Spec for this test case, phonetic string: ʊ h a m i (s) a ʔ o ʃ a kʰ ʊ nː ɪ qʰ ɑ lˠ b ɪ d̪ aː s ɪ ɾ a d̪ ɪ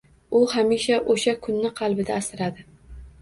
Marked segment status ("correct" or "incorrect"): incorrect